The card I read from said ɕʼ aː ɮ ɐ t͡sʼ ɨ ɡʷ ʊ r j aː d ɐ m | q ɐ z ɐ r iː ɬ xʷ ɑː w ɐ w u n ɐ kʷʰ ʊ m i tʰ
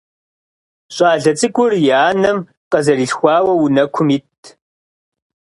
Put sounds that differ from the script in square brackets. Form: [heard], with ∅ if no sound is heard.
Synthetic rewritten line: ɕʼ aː ɮ ɐ t͡sʼ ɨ ɡʷ ʊ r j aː [n] ɐ m | q ɐ z ɐ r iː ɬ xʷ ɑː w ɐ w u n ɐ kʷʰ ʊ m i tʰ